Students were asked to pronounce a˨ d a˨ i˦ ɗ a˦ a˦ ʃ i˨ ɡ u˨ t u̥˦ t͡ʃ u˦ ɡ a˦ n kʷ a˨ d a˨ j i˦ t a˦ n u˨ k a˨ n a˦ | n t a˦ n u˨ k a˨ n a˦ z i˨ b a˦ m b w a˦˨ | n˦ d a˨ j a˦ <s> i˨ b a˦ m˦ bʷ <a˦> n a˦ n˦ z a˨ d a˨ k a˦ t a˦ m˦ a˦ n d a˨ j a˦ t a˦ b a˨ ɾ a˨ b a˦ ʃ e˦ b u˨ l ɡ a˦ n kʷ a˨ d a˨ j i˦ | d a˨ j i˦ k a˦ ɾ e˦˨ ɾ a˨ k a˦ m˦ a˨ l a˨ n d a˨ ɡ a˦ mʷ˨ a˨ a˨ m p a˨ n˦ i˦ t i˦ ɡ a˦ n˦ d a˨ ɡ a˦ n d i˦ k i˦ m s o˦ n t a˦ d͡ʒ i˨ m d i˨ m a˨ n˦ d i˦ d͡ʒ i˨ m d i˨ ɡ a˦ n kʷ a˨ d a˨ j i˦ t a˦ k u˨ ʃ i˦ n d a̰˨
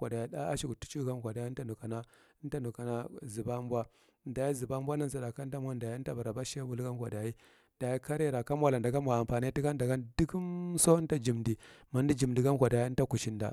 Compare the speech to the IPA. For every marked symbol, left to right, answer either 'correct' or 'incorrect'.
incorrect: z, correct

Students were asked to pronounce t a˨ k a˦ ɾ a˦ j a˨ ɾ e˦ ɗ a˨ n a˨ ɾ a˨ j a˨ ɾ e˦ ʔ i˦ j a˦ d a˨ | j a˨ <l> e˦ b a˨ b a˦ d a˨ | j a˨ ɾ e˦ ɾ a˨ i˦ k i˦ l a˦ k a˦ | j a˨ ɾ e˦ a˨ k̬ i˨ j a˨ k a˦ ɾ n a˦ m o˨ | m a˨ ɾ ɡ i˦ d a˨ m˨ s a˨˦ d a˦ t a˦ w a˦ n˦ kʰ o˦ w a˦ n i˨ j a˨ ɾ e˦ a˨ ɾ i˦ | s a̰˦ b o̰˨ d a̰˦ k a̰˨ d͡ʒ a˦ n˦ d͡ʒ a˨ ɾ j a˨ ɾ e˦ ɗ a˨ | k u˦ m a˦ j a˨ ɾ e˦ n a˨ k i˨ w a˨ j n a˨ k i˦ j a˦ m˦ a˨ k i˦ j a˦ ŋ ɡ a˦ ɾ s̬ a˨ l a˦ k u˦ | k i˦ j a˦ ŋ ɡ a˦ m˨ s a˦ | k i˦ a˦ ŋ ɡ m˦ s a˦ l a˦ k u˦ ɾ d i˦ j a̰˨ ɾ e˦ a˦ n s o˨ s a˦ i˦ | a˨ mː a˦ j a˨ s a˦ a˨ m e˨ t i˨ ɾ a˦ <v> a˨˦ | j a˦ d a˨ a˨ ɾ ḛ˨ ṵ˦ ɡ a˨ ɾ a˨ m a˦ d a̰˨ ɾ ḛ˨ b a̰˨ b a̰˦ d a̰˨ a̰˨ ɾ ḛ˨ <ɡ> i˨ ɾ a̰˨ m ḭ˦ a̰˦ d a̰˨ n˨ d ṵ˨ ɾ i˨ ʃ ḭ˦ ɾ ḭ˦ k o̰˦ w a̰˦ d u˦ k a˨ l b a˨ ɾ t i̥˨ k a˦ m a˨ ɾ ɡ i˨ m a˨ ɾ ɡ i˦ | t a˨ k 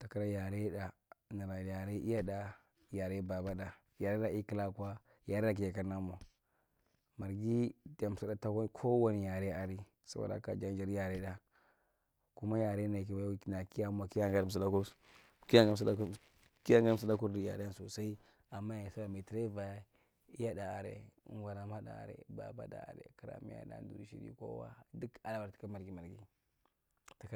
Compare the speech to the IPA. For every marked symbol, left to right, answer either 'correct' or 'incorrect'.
incorrect: ɾ, correct, incorrect: k

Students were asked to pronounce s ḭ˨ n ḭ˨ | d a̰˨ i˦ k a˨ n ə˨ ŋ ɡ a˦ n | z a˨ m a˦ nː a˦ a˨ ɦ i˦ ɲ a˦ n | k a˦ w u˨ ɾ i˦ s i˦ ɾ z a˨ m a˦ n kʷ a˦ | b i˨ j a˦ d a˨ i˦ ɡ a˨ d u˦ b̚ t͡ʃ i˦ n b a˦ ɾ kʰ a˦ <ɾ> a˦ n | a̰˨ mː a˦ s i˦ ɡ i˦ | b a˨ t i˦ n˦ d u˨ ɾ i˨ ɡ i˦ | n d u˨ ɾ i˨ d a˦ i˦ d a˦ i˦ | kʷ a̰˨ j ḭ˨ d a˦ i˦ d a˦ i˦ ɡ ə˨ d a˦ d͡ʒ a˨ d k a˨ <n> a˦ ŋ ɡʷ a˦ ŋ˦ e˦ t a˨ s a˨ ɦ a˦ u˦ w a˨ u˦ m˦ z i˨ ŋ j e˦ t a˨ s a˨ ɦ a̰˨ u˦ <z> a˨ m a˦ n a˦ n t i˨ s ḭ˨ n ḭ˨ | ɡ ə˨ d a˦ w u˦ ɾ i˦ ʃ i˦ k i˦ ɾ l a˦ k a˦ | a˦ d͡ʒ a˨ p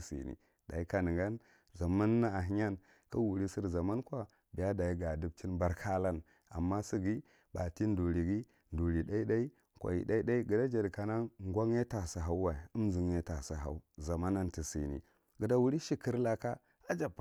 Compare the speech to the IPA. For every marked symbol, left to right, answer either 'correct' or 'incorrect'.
incorrect: l, correct, correct

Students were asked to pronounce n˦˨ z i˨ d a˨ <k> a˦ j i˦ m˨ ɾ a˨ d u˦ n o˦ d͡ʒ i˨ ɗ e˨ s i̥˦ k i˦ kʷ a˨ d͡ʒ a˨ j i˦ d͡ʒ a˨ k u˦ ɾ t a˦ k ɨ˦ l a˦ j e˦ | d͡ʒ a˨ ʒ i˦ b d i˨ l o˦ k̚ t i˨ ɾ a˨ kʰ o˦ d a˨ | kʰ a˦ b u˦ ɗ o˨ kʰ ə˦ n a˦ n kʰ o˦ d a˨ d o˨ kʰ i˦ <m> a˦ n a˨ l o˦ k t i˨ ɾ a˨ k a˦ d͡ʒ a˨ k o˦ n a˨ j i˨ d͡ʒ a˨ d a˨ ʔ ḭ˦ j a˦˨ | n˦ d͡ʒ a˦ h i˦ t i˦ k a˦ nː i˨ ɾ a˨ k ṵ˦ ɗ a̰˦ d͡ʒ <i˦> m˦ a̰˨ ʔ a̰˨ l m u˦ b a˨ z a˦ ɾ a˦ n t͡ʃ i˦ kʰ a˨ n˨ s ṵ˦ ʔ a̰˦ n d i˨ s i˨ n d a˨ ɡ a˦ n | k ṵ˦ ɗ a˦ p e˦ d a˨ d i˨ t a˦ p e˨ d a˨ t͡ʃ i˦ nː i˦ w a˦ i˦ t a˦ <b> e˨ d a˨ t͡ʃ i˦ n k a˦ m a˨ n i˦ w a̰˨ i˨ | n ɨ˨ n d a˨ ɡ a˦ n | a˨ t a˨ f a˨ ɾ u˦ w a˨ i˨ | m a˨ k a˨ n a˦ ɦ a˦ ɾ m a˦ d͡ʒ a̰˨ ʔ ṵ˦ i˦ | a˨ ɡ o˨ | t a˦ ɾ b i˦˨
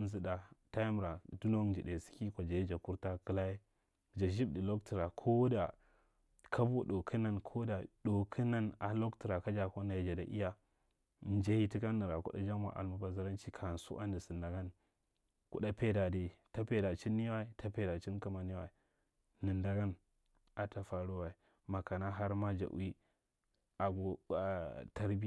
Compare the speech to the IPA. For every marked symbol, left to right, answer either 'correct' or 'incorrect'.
incorrect: t, incorrect: n, incorrect: a˦, incorrect: p

